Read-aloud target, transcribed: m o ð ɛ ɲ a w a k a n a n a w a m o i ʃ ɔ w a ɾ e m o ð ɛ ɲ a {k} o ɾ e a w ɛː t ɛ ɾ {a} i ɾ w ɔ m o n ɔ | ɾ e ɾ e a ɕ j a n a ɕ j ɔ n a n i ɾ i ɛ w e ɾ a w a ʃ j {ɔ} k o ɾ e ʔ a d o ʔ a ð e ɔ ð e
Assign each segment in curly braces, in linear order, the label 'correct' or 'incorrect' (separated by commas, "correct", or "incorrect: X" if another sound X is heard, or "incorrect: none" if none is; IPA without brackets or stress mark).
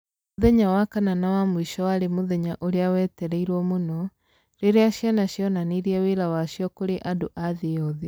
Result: incorrect: ʔ, incorrect: ɛ, correct